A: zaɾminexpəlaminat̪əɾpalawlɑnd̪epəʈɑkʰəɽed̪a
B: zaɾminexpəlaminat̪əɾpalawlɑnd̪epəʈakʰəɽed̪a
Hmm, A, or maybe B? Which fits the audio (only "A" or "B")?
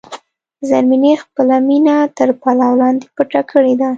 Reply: B